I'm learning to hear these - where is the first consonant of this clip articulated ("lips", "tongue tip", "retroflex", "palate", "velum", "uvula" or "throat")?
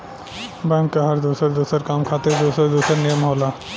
lips